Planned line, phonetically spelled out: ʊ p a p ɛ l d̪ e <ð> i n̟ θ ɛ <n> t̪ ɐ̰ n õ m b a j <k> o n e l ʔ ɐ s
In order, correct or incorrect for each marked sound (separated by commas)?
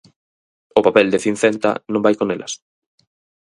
incorrect, correct, correct